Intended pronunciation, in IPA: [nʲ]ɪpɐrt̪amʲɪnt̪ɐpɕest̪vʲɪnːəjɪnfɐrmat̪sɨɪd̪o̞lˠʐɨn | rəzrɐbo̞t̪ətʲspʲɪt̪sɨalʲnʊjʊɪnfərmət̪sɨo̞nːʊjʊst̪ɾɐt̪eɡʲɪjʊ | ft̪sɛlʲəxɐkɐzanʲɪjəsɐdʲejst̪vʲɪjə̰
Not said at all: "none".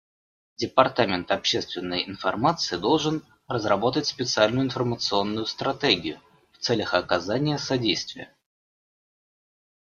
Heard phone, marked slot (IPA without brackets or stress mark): dʲ